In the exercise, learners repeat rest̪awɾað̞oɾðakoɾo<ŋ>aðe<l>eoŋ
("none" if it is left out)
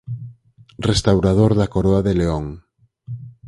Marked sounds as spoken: none, l

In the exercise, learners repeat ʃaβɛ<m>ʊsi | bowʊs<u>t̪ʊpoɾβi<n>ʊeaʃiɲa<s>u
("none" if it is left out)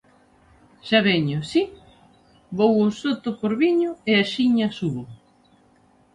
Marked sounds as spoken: ɲ, o, ɲ, s

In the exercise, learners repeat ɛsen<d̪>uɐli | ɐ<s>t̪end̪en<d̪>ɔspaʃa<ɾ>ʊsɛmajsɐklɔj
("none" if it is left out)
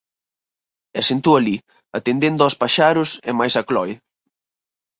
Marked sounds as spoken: t̪, none, d̪, ɾ

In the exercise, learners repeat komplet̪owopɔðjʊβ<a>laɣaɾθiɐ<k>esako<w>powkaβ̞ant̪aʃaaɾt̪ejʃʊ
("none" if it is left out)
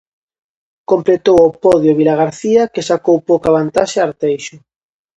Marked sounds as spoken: i, k, w

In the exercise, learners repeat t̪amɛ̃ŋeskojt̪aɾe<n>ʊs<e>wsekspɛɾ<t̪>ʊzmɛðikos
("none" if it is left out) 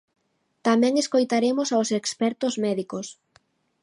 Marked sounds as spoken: m, a, t̪

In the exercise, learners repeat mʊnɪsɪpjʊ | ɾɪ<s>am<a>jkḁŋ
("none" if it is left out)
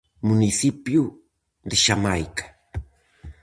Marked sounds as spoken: ʃ, a

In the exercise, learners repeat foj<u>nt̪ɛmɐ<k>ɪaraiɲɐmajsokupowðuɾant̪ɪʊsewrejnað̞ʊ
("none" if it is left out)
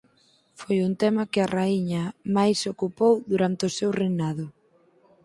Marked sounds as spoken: u, k

